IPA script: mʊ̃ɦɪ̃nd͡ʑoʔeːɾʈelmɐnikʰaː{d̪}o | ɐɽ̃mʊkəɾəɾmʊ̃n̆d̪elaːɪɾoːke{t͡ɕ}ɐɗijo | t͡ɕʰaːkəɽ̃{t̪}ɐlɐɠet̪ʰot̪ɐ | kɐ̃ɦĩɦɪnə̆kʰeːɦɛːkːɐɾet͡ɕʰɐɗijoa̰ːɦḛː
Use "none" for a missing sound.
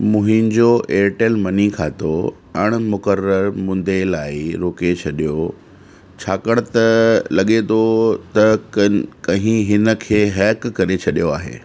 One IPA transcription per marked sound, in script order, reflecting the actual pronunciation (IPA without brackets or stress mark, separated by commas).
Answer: t̪, t͡ɕʰ, t̪